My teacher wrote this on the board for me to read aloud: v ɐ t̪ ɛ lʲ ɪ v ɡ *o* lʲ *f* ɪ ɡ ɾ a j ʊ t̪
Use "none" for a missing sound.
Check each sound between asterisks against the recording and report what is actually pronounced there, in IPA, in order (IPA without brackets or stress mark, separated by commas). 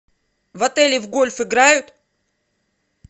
o, f